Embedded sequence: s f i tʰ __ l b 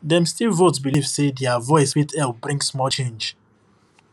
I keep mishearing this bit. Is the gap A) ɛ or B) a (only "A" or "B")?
A